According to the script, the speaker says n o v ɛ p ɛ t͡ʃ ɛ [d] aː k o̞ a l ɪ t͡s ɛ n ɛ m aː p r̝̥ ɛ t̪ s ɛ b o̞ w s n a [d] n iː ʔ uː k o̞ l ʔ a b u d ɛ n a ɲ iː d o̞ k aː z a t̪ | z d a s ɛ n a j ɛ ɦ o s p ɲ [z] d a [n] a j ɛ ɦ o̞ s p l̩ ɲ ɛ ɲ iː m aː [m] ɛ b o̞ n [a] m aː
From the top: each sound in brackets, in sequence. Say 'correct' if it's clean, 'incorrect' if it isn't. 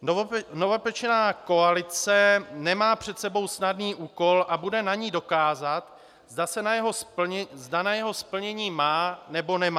incorrect: n, correct, correct, correct, incorrect: n, incorrect: ɛ

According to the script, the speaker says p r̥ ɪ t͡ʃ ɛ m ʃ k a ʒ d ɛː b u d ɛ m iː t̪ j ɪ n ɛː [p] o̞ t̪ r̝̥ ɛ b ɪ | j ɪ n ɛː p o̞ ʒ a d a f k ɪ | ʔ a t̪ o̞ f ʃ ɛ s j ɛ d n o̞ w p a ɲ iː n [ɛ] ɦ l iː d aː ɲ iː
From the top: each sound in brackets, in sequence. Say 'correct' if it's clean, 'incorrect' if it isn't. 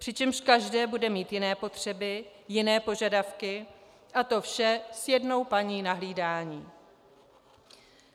correct, incorrect: a

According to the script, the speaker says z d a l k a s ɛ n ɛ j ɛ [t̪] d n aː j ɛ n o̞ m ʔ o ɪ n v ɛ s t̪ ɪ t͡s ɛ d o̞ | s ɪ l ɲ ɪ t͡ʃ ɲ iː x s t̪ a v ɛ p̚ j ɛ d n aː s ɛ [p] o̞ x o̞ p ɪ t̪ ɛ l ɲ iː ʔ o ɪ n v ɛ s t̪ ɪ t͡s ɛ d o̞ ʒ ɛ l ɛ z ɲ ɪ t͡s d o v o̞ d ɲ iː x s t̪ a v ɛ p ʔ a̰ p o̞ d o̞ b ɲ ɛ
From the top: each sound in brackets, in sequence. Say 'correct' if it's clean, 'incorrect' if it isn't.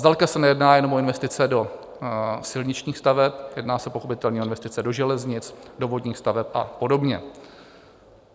incorrect: none, correct

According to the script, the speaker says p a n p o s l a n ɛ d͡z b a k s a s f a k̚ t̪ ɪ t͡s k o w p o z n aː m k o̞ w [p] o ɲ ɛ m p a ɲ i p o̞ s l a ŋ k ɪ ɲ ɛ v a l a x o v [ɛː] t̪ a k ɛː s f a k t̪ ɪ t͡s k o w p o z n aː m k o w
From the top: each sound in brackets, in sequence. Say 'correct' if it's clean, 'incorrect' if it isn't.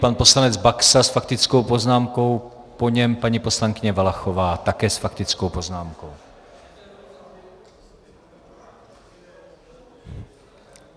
correct, incorrect: aː

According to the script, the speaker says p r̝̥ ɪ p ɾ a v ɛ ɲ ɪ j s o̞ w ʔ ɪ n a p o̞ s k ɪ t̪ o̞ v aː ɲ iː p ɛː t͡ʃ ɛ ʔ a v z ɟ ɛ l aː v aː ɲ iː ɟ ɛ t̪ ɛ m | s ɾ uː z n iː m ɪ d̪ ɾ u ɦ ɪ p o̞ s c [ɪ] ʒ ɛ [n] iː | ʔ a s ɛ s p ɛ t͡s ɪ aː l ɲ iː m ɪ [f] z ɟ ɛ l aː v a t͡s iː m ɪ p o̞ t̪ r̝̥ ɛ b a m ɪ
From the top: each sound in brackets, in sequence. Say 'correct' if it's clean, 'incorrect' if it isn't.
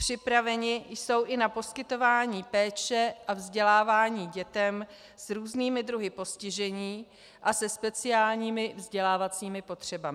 correct, incorrect: ɲ, incorrect: v

